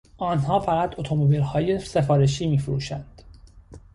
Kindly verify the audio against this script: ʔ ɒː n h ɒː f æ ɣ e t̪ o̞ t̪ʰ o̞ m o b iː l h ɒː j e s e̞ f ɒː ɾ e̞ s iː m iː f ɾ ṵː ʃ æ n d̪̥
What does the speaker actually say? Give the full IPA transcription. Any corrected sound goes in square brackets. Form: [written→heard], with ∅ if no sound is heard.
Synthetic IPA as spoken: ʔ ɒː n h ɒː f æ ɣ [e→æ] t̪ o̞ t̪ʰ o̞ m o b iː l h ɒː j e s e̞ f ɒː ɾ e̞ [s→ʃ] iː m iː f ɾ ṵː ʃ æ n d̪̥

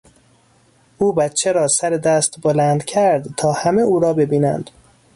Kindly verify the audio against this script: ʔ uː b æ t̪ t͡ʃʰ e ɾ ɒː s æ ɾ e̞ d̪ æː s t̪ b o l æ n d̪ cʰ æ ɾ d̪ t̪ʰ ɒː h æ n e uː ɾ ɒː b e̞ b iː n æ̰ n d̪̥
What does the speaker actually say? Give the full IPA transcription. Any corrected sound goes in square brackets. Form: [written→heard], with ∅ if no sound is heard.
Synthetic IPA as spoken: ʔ uː b æ t̪ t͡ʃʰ e ɾ ɒː s æ ɾ e̞ d̪ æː s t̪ b o l æ n d̪ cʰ æ ɾ d̪ t̪ʰ ɒː h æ [n→m] e uː ɾ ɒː b e̞ b iː n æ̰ n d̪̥

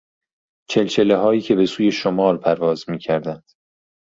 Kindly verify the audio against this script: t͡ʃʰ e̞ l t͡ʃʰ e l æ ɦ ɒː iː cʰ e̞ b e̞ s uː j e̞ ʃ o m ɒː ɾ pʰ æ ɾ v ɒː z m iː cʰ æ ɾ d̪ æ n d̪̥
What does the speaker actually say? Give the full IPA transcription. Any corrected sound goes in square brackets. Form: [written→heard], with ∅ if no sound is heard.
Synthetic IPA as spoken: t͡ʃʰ e̞ l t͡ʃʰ e l [æ→e] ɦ ɒː iː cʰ e̞ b e̞ s uː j e̞ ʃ o m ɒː ɾ pʰ æ ɾ v ɒː z m iː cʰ æ ɾ d̪ æ n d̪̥

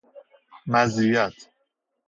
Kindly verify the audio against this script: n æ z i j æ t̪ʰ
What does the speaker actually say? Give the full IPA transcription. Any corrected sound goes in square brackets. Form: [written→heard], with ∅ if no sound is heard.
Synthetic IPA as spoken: [n→m] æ z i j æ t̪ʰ

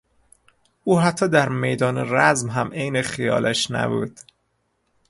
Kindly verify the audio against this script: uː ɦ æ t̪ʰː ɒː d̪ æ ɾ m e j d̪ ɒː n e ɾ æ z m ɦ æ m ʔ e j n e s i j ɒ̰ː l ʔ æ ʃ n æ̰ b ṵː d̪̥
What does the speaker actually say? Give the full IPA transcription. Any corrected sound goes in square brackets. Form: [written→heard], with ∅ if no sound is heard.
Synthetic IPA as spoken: uː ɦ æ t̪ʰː ɒː d̪ æ ɾ m e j d̪ ɒː n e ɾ æ z m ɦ æ m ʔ e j n e [s→x] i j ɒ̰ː l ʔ æ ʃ n æ̰ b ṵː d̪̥

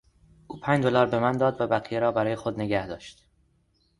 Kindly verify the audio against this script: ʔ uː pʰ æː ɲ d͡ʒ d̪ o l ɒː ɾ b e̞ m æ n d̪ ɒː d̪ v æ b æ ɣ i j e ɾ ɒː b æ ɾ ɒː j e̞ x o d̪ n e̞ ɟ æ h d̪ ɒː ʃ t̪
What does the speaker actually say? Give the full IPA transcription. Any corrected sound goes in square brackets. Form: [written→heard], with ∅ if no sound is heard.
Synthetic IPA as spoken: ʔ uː pʰ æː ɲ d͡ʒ d̪ o l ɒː ɾ b e̞ m æ n d̪ ɒː d̪ v æ b æ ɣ i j e ɾ ɒː b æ ɾ ɒː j e̞ x o d̪ n e̞ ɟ æ h d̪ ɒː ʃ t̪

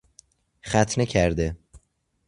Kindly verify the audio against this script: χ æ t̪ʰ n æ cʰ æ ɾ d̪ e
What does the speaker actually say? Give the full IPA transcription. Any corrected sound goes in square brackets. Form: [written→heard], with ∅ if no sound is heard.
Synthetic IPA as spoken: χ æ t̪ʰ n [æ→e] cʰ æ ɾ d̪ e

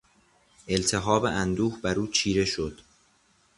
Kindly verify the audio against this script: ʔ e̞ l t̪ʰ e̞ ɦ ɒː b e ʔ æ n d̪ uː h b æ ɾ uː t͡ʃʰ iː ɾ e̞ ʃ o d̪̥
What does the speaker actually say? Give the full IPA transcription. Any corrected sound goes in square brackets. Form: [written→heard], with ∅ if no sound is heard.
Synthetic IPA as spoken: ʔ e̞ l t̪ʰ e̞ ɦ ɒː b e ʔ æ n d̪ uː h b æ ɾ uː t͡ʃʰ iː ɾ e̞ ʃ o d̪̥

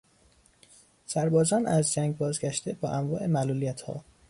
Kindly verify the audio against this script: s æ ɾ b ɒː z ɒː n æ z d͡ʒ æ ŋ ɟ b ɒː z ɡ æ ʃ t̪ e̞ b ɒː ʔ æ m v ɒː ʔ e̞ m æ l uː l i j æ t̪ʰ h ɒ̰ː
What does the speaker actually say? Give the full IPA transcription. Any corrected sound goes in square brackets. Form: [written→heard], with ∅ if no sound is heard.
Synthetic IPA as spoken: s æ ɾ b ɒː z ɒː n æ z d͡ʒ æ ŋ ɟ b ɒː z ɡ æ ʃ t̪ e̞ b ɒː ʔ æ m v ɒː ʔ e̞ m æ l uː l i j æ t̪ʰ h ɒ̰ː

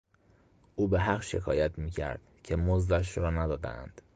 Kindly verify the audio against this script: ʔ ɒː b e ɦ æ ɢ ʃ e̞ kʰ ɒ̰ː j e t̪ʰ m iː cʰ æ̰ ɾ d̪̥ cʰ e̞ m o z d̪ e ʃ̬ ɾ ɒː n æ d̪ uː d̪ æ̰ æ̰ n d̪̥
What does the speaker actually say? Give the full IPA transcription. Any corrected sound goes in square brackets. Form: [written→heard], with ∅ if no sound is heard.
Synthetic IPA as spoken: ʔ [ɒː→uː] b e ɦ æ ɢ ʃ e̞ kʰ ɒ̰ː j [e→æ] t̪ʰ m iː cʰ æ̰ ɾ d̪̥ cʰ e̞ m o z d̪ [e→æ] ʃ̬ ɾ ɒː n æ d̪ [uː→ɒː] d̪ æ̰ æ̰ n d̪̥

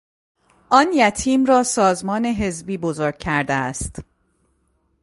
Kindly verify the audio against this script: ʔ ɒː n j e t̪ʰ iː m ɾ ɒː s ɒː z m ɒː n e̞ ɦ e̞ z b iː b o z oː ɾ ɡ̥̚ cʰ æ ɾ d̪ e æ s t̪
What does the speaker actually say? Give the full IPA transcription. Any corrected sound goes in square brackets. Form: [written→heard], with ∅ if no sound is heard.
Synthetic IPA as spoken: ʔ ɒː n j [e→æ] t̪ʰ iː m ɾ ɒː s ɒː z m ɒː n e̞ ɦ e̞ z b iː b o z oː ɾ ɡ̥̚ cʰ æ ɾ d̪ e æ s t̪

